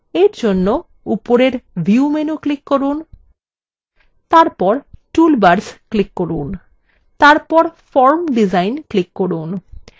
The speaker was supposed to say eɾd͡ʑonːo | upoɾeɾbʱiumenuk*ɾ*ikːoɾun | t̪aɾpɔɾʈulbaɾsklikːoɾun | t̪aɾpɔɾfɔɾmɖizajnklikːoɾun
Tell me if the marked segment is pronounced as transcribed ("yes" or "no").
no